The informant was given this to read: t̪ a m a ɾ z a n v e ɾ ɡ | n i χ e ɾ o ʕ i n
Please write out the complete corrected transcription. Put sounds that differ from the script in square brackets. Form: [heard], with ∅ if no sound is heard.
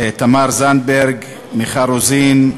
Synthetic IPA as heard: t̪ a m a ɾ z a n [b] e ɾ ɡ | [m] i χ [a] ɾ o [z] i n